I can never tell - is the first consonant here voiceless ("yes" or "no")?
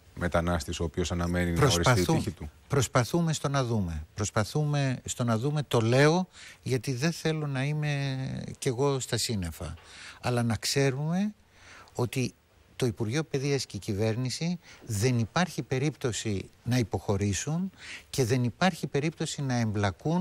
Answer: no